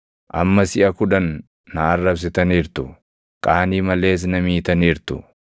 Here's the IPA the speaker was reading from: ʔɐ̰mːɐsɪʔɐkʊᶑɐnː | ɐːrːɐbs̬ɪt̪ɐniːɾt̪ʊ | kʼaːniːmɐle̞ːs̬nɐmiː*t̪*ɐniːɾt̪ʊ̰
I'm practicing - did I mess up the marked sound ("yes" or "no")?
no